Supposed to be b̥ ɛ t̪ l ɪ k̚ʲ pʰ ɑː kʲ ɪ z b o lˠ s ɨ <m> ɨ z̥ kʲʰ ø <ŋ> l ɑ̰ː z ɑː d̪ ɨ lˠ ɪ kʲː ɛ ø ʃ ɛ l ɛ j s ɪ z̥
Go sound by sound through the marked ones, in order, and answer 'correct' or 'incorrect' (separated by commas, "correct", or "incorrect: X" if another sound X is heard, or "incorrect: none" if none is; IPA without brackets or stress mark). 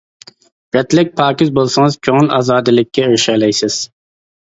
incorrect: ŋ, correct